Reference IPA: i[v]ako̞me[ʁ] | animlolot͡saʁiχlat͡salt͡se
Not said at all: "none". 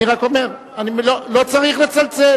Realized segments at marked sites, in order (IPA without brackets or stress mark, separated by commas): ʁ, ʁ